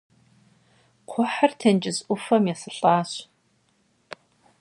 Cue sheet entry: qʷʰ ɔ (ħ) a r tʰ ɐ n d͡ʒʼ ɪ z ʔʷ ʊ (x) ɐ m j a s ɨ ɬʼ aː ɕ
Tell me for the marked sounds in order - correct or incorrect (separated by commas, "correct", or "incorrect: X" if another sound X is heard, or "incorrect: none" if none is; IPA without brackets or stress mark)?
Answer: correct, incorrect: f